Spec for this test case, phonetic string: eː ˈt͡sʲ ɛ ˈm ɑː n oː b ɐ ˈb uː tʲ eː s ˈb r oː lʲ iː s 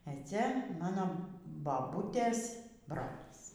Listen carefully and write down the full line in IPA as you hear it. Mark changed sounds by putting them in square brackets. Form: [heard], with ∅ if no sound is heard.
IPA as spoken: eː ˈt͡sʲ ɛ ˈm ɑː n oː b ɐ ˈb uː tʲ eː s ˈb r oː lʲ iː s